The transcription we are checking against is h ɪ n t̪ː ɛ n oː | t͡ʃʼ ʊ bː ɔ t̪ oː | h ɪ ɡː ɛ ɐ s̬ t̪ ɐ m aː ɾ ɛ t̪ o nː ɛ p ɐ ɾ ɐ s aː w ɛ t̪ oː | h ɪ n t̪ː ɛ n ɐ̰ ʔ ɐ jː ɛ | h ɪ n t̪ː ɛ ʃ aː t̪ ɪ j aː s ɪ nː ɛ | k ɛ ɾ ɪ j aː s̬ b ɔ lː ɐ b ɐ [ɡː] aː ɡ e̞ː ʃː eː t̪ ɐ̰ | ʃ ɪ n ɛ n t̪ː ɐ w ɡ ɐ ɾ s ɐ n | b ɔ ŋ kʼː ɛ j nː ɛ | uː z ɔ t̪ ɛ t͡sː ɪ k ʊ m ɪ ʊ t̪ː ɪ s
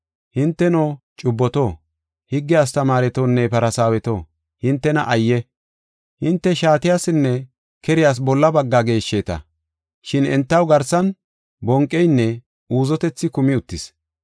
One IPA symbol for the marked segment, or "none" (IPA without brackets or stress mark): ɡː